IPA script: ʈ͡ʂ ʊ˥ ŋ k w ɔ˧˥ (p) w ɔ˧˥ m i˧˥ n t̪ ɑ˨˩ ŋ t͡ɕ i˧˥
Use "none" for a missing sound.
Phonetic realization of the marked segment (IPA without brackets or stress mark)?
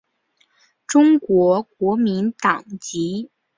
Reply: k